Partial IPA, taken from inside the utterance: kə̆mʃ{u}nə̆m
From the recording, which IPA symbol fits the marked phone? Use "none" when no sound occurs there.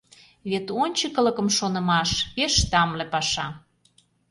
o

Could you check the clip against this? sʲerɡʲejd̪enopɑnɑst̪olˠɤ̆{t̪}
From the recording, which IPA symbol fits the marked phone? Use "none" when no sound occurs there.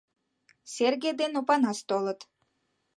t̪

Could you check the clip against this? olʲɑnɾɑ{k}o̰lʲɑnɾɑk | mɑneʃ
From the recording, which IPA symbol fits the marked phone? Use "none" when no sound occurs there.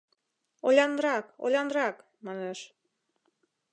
k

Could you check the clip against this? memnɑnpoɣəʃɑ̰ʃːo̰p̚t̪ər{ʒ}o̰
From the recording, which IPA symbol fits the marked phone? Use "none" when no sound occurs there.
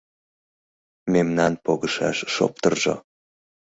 ʒ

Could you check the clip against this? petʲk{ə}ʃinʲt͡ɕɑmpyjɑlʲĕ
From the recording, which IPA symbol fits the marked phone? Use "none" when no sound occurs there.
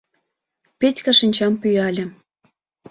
ɑ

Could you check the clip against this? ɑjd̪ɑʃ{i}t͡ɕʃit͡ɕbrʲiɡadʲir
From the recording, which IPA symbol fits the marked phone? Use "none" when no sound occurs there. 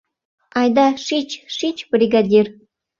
i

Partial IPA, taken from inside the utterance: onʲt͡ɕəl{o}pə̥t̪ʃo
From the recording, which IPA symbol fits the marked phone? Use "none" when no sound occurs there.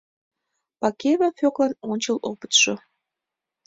o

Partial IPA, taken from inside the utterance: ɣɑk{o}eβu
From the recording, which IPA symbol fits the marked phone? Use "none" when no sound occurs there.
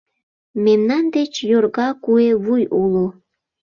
u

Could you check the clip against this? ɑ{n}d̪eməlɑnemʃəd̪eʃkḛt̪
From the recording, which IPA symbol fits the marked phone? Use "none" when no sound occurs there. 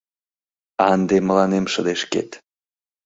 n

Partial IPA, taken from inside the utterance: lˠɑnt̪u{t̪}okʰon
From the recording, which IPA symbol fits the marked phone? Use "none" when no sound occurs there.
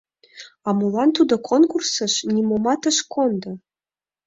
d̪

